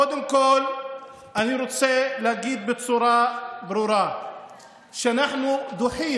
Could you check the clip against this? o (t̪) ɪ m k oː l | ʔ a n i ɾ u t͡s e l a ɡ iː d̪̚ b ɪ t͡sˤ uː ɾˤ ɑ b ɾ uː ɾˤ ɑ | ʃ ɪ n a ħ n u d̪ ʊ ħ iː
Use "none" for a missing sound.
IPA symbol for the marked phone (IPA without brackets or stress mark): d̪